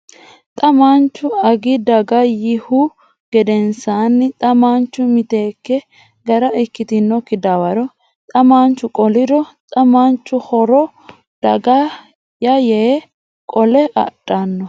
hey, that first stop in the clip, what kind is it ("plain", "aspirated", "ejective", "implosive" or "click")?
ejective